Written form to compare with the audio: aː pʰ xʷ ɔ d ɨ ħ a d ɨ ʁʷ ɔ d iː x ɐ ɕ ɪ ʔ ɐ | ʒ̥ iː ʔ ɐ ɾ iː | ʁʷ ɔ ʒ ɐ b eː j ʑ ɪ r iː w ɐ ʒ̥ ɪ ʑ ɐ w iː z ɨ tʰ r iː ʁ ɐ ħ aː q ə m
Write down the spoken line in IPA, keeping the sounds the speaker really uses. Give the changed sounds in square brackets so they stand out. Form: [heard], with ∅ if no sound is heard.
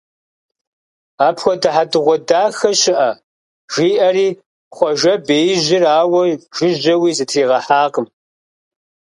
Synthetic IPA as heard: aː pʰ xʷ ɔ d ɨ ħ a d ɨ ʁʷ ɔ d [aː] x ɐ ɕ ɪ ʔ ɐ | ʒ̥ iː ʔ ɐ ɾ iː | [χʷ] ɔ ʒ ɐ b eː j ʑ ɪ r [aː] w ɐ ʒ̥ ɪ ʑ ɐ w iː z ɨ tʰ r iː ʁ ɐ ħ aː q ə m